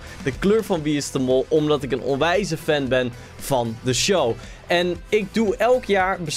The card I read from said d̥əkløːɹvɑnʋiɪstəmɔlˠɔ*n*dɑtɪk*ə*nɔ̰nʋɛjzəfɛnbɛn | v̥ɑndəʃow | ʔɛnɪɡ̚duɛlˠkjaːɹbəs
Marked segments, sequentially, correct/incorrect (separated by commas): incorrect, correct